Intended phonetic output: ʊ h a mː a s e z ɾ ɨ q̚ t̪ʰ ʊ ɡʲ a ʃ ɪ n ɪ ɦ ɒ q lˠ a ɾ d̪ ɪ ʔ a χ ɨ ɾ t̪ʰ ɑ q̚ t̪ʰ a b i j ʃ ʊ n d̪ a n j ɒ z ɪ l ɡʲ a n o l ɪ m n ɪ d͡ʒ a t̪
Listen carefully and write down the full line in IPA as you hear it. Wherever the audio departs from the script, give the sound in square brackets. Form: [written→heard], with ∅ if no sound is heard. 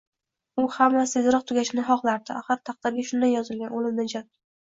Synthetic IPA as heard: ʊ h a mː a s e z ɾ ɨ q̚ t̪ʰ ʊ ɡʲ a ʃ ɪ n ɪ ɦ ɒ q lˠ a ɾ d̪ ɪ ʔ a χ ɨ ɾ t̪ʰ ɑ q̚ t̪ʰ a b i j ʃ ʊ n d̪ a n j ɒ z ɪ l ɡʲ a n o l ɪ m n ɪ d͡ʒ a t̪